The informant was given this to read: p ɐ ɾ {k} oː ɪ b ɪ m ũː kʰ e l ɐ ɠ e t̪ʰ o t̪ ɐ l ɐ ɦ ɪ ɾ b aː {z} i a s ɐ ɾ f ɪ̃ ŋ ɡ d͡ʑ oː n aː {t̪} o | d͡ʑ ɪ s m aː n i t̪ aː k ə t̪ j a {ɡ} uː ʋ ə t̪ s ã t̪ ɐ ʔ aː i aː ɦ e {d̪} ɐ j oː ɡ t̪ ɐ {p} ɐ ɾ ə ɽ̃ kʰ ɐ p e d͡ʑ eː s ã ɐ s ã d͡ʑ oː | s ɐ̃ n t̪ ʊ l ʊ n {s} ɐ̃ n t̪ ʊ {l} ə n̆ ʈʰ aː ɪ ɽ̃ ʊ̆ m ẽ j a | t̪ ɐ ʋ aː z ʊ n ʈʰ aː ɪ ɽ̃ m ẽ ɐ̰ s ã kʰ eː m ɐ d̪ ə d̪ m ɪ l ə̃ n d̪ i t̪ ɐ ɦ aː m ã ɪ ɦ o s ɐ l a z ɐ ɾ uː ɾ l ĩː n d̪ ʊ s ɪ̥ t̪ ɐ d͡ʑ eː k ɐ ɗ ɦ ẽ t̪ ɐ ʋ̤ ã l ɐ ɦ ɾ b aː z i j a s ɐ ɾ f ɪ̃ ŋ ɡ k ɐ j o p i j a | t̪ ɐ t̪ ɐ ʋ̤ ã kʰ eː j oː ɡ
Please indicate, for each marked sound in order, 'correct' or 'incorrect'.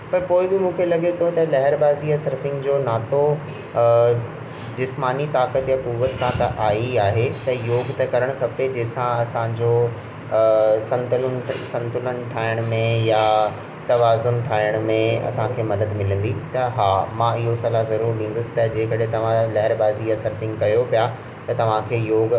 incorrect: p, correct, correct, incorrect: k, incorrect: t̪, incorrect: k, correct, correct

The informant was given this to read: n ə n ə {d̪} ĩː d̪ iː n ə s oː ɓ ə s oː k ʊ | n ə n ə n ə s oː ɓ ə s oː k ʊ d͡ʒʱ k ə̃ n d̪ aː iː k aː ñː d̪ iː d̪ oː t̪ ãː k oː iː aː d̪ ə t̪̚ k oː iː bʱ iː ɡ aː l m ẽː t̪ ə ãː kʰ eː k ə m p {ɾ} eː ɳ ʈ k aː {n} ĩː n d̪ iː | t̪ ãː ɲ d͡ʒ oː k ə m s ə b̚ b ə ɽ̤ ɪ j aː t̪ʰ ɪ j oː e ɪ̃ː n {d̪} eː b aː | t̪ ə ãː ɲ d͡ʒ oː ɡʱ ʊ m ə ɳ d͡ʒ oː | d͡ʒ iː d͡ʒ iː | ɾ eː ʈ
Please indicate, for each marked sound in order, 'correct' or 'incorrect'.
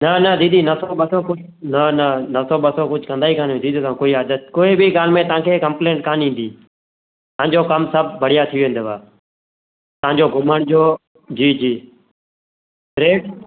correct, incorrect: l, correct, correct

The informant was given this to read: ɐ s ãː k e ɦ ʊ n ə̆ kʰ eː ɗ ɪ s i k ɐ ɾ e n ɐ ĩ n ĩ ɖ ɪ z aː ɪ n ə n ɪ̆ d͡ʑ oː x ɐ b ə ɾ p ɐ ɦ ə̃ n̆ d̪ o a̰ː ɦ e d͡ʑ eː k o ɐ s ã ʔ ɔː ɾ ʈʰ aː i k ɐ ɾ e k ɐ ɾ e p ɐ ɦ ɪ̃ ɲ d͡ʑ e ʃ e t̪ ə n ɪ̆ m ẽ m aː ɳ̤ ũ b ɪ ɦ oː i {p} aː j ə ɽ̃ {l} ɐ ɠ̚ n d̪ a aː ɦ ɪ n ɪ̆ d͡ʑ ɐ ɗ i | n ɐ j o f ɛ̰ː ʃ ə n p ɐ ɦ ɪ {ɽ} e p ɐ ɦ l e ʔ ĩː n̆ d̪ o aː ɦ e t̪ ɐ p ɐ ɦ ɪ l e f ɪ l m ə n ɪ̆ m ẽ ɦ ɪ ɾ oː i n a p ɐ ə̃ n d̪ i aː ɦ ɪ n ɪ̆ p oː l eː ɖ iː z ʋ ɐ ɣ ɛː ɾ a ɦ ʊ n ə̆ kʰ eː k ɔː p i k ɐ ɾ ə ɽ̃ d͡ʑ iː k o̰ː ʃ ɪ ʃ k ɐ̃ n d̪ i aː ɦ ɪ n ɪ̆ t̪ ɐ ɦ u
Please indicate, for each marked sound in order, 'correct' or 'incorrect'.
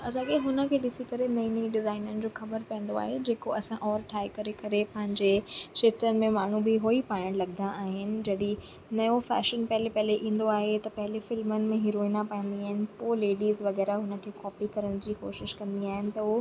correct, correct, incorrect: l

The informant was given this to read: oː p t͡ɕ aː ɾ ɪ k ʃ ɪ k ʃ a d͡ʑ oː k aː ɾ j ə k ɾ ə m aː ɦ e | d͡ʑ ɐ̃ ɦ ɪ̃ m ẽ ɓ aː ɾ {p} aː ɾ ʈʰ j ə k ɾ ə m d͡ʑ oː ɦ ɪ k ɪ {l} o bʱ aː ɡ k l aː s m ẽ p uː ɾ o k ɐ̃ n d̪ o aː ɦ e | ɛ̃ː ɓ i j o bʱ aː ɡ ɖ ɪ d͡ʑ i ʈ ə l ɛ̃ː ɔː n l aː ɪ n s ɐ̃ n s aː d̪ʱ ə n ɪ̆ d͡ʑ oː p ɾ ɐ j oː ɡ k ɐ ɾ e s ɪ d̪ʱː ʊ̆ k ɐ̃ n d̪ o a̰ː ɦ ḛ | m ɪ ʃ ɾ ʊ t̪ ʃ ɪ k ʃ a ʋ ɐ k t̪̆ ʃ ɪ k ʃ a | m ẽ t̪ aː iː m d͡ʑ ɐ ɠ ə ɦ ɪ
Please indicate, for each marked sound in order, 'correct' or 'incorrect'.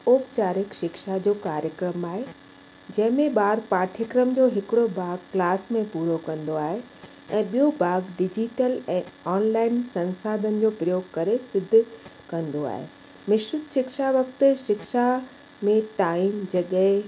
correct, incorrect: ɽ

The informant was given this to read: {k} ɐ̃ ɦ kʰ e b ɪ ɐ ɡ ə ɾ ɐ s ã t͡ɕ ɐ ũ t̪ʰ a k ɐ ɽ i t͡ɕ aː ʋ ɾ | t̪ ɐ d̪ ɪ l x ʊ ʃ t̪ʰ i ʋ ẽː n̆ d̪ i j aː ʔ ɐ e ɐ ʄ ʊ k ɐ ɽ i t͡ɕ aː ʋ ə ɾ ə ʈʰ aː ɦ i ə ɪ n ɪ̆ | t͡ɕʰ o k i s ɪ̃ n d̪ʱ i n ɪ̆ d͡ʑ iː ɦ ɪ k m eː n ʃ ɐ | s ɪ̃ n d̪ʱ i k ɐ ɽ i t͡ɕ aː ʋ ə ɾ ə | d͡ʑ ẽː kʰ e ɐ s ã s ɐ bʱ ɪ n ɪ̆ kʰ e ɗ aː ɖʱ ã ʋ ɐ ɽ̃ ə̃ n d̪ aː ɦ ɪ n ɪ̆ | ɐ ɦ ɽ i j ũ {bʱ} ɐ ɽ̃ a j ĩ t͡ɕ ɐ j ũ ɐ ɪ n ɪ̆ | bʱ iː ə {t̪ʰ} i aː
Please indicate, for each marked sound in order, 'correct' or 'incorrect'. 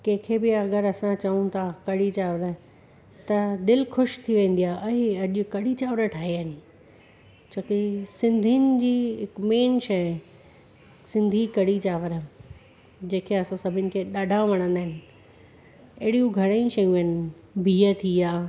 correct, incorrect: ɡʱ, correct

